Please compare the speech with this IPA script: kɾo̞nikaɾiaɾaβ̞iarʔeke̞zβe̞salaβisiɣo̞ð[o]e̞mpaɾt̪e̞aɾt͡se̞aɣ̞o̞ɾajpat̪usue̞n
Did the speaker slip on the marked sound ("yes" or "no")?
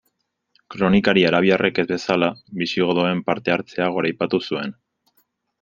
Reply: no